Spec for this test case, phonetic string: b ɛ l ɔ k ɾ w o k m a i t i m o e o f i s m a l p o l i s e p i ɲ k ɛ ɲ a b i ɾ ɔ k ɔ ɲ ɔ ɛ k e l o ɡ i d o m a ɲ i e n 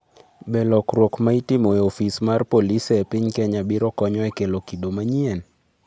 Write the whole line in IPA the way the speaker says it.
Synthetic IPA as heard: b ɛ l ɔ k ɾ w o k m a i t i m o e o f i s m a r p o l i s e p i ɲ k ɛ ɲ a b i ɾ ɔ k ɔ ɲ ɔ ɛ k e l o k i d o m a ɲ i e n